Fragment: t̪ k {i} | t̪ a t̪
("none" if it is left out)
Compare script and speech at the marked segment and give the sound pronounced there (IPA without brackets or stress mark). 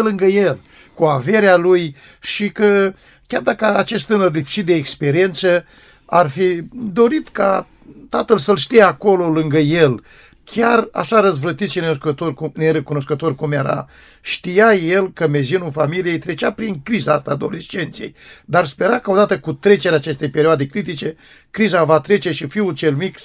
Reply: a